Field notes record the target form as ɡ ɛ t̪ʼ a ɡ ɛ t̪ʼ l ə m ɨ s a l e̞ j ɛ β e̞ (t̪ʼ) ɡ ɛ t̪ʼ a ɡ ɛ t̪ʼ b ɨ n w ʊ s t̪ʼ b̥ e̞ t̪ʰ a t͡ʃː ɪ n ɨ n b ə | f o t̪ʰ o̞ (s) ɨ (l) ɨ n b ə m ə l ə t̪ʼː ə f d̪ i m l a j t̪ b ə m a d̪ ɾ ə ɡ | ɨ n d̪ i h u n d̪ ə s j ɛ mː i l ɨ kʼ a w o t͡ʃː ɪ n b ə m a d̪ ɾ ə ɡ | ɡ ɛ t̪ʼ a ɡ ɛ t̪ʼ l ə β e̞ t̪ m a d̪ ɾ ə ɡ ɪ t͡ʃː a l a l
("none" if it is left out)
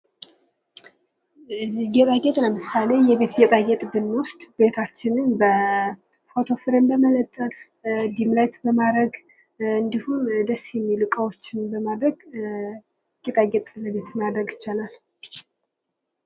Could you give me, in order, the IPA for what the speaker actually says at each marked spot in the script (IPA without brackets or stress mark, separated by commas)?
t̪, f, ɾ